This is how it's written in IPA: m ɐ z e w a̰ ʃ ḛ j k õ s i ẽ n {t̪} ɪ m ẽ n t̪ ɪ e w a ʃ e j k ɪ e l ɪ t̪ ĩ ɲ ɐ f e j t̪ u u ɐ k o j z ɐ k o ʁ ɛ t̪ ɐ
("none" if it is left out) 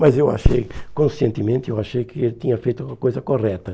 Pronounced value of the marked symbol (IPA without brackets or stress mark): t̪